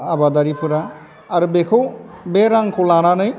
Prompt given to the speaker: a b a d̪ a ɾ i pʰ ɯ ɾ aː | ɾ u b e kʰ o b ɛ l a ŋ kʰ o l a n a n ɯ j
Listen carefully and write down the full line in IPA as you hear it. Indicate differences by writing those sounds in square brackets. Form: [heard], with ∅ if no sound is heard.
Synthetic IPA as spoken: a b a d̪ a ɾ i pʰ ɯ ɾ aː | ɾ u b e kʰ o b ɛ [ɾ] a ŋ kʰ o l a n a n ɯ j